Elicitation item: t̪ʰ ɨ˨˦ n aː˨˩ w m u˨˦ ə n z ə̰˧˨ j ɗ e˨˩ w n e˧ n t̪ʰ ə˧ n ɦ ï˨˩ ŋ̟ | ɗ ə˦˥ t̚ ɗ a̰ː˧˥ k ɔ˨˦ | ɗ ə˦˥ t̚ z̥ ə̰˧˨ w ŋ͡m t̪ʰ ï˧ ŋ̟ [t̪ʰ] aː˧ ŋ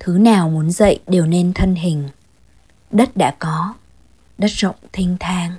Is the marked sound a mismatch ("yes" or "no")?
no